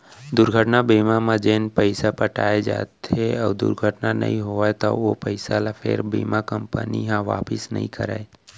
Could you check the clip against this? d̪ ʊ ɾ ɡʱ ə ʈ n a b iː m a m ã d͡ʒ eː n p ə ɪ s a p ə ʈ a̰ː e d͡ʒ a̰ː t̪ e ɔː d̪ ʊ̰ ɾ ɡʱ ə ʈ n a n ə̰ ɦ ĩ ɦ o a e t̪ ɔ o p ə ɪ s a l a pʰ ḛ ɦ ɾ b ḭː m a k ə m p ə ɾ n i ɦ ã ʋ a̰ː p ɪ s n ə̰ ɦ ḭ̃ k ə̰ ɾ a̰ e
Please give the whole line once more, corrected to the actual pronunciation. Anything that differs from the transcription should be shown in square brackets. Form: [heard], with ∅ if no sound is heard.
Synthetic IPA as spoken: d̪ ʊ ɾ ɡʱ ə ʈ n a b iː m a m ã d͡ʒ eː n p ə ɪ s a p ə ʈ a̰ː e d͡ʒ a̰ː t̪ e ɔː d̪ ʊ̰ ɾ ɡʱ ə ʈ n a n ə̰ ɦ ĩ ɦ o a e t̪ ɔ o p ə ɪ s a l a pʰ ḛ [∅] ɾ b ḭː m a k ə m p ə [∅] n i ɦ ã ʋ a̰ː p ɪ s n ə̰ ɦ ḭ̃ k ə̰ ɾ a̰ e